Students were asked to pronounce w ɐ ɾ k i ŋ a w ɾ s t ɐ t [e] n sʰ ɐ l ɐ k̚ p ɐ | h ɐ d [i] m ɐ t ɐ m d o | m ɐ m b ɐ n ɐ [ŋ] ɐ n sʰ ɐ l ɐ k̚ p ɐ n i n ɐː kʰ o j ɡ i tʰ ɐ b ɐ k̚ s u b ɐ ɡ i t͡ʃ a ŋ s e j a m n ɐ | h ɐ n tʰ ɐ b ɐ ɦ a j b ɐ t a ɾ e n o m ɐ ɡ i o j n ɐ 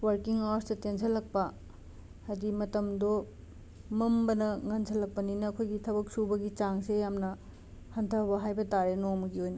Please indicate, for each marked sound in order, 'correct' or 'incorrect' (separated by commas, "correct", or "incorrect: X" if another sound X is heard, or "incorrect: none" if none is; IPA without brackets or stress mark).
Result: correct, correct, correct